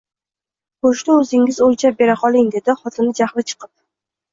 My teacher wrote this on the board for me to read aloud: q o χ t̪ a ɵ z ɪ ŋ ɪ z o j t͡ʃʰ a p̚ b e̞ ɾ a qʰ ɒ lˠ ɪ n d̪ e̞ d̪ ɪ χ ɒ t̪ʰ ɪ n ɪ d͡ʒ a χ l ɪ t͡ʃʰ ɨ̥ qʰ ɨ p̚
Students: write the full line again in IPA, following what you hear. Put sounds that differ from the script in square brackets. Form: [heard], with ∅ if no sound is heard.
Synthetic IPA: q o [ʃ] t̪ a ɵ z ɪ ŋ ɪ z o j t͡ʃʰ a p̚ b e̞ ɾ a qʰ ɒ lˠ ɪ [ŋ] d̪ e̞ d̪ ɪ χ ɒ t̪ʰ ɪ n ɪ d͡ʒ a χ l ɪ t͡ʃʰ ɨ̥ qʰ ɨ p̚